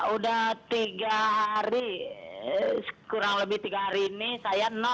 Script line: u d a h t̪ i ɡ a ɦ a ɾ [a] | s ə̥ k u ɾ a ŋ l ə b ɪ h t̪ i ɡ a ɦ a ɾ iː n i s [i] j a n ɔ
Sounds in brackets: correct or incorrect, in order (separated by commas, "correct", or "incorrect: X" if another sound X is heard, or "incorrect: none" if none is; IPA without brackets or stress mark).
incorrect: i, incorrect: a